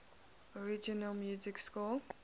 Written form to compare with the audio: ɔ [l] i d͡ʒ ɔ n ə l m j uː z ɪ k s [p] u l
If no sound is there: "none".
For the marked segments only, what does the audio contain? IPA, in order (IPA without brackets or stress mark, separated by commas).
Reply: ɹ, k